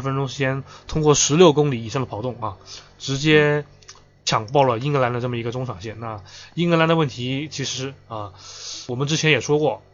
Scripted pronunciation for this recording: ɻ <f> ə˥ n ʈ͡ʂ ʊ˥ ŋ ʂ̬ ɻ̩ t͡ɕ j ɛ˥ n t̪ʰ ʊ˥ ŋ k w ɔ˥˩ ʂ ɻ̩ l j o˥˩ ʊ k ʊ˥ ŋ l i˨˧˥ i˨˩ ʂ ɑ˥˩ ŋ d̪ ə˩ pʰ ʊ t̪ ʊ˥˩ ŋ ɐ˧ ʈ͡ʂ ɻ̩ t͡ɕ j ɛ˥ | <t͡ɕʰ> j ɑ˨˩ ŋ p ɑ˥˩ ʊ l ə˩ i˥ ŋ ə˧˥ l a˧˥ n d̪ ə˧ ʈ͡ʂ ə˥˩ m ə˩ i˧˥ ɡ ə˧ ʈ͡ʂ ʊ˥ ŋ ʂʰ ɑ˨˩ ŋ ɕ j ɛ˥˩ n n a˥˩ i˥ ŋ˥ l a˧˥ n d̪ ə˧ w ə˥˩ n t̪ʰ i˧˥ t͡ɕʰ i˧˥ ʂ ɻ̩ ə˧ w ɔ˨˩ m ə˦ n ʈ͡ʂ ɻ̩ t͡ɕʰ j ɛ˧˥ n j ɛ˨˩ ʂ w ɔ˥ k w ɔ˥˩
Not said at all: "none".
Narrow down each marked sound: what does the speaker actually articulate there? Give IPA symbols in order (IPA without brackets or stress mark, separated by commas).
f, t͡ɕʰ